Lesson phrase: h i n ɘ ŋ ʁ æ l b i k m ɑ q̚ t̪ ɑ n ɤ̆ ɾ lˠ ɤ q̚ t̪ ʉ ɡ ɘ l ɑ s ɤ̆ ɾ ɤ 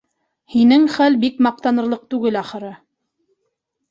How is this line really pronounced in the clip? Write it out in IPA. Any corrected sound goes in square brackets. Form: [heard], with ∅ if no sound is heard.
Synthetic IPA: h i n ɘ ŋ [χ] æ l b i k m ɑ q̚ t̪ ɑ n ɤ̆ ɾ lˠ ɤ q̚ t̪ ʉ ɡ ɘ l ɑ [χ] ɤ̆ ɾ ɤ